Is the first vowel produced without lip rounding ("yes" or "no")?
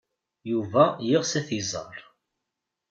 no